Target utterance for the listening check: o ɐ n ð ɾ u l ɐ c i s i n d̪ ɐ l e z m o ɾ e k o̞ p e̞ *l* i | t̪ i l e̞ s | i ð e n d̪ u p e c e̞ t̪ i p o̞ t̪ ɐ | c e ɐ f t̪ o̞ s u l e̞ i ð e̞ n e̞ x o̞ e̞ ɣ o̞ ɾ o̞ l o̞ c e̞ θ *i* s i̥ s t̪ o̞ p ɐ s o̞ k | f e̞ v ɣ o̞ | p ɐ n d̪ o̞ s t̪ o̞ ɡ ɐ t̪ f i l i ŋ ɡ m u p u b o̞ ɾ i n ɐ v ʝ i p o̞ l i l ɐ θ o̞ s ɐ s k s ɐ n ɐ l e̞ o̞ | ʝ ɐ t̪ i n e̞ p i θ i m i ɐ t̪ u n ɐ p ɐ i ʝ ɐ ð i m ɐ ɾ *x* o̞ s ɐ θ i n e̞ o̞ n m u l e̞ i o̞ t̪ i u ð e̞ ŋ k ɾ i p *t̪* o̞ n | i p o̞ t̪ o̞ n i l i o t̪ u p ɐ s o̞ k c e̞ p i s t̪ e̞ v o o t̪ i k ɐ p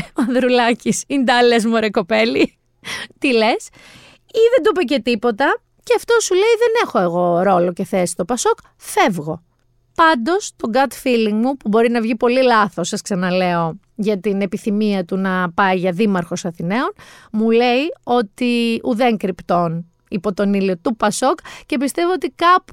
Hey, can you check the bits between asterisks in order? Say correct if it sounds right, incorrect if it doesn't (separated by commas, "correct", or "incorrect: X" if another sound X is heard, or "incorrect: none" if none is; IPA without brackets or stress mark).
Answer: correct, incorrect: e, correct, correct